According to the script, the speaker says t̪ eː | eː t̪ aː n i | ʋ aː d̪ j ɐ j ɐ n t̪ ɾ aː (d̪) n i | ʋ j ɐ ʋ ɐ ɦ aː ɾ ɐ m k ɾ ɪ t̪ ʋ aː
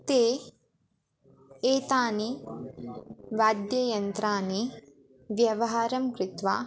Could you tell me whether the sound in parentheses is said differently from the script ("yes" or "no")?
yes